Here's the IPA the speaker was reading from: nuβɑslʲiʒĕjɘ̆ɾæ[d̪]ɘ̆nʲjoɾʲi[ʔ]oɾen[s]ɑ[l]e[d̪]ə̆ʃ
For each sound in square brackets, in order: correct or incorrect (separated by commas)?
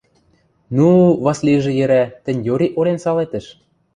incorrect, correct, correct, correct, incorrect